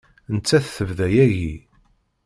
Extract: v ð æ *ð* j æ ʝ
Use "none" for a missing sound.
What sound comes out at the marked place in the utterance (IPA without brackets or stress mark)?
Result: none